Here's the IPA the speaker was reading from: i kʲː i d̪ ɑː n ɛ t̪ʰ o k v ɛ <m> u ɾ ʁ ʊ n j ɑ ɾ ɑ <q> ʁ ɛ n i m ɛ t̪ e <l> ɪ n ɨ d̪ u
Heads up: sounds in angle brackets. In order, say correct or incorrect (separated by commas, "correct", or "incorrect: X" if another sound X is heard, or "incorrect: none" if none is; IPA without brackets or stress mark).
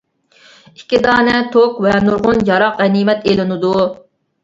incorrect: n, correct, correct